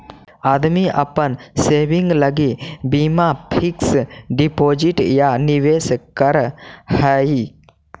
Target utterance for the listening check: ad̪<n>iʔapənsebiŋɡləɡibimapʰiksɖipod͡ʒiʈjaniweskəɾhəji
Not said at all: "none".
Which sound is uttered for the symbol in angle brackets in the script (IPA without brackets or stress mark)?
m